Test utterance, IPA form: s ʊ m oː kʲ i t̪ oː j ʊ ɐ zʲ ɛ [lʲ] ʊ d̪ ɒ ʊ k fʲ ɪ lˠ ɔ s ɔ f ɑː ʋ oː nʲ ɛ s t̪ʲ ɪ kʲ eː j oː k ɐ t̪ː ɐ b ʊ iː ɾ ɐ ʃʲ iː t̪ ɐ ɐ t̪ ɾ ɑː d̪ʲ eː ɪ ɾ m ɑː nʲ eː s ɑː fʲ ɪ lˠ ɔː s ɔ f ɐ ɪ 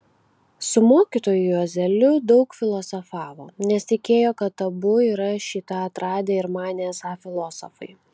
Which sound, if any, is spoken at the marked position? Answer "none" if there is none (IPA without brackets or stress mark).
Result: lʲ